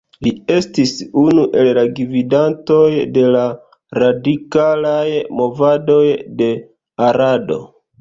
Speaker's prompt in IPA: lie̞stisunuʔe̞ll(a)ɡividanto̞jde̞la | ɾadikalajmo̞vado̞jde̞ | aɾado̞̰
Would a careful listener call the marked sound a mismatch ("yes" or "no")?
no